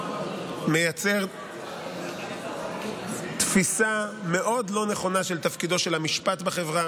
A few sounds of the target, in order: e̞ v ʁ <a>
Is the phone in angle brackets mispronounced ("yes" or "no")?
no